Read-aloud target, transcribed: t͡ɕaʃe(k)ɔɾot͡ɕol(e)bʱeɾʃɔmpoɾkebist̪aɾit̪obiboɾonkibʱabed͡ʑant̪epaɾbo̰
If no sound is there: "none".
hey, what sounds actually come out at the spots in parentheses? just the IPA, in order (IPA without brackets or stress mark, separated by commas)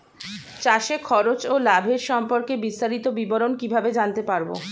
kʰ, a